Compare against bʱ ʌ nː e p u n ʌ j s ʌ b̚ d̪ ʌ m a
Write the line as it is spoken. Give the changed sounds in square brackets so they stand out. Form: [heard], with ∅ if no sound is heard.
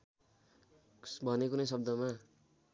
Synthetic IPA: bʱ ʌ [n] e [k] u n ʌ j s ʌ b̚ d̪ ʌ m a